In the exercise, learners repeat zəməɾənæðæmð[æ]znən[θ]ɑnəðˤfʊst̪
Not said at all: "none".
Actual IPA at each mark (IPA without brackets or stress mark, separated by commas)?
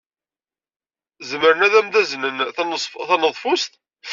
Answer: æ, θ